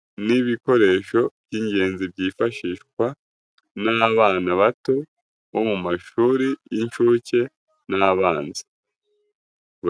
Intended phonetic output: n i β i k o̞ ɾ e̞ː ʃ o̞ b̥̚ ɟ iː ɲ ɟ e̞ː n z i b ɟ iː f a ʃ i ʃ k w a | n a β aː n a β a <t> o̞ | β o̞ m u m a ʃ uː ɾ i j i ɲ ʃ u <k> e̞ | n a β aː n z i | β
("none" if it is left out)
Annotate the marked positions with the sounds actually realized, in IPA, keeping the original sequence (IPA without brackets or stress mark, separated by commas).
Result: t, c